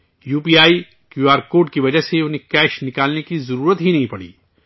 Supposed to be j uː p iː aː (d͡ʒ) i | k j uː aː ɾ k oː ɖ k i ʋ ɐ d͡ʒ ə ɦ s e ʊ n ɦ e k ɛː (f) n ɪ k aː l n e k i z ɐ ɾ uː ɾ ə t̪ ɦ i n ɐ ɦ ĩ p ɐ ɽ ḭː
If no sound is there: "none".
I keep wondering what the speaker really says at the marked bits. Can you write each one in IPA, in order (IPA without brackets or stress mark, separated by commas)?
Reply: none, ʃ